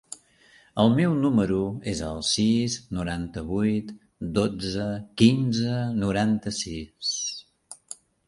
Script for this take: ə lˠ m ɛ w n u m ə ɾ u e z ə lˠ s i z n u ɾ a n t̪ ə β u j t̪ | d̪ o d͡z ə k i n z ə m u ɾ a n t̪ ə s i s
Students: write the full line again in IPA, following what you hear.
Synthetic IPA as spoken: ə lˠ m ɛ w n u m ə ɾ u e z ə lˠ s i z n u ɾ a n t̪ ə β u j t̪ | d̪ o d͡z ə k i n z ə n u ɾ a n t̪ ə s i s